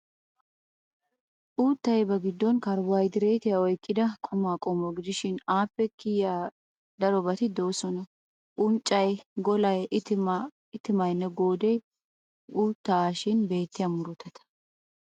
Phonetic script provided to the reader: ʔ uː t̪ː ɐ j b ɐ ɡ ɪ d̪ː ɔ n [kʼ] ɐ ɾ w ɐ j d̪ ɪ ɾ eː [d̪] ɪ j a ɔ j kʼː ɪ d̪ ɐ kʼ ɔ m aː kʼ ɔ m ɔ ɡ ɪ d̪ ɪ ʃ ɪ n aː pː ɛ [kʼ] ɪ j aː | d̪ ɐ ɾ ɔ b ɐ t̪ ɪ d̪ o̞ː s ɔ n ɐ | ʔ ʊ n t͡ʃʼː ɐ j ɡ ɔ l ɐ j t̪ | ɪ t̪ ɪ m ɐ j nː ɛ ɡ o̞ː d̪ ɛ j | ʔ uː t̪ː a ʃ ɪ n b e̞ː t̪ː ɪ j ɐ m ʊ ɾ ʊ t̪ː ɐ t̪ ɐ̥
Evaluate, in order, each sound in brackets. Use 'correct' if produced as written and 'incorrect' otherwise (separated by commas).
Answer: incorrect, incorrect, incorrect